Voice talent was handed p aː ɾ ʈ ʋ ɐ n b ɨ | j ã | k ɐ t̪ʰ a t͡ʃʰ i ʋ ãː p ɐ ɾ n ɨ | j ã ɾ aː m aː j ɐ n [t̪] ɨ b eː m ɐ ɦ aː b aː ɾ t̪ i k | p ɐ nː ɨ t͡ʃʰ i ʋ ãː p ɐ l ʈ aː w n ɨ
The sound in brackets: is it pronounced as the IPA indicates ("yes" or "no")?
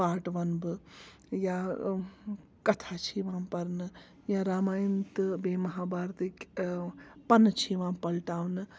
yes